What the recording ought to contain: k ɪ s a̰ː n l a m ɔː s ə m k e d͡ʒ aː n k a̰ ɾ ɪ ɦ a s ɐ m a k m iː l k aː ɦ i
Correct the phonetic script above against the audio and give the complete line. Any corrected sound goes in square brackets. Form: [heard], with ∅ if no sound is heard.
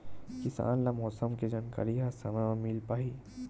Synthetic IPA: k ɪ s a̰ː n l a m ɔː s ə m k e d͡ʒ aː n k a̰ ɾ [i] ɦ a s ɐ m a [∅] m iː l [p] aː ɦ i